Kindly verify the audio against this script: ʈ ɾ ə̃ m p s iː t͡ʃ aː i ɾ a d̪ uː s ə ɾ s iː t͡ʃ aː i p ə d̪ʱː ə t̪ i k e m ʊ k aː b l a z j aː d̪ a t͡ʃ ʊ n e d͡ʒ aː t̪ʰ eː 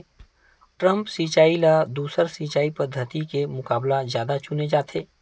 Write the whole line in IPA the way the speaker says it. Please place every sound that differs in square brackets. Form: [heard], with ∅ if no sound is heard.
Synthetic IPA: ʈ ɾ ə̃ m p s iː t͡ʃ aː i [l] a d̪ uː s ə ɾ s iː t͡ʃ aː i p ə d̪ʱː ə t̪ i k e m ʊ k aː b l a z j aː d̪ a t͡ʃ ʊ n e d͡ʒ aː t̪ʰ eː